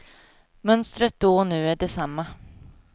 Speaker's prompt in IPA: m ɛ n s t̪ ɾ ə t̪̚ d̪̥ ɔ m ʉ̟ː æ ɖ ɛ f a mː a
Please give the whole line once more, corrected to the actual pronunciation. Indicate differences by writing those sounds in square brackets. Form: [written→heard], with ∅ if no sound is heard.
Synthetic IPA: m [ɛ→œ] n s t̪ ɾ ə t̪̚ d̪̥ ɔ [m→n] ʉ̟ː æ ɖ ɛ [f→s] a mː a